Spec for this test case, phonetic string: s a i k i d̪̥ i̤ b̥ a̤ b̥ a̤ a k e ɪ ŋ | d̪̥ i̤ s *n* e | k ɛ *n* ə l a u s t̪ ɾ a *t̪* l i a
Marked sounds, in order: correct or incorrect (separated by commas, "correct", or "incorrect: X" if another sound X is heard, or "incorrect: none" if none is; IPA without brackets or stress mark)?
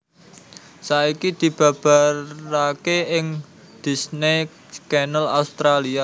correct, correct, incorrect: none